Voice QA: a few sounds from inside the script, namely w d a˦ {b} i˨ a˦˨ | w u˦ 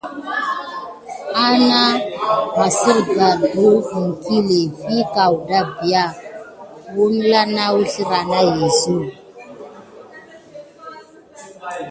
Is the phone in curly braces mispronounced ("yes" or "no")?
no